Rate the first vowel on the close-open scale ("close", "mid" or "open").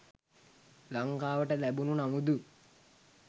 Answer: open